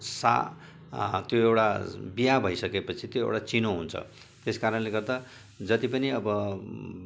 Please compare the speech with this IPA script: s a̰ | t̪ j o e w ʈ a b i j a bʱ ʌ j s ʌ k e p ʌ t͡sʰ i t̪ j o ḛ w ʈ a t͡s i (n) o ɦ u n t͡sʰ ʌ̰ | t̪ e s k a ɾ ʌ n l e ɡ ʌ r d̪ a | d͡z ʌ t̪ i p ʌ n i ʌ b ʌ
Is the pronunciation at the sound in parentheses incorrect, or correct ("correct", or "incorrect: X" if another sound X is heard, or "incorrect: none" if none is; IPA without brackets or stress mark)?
correct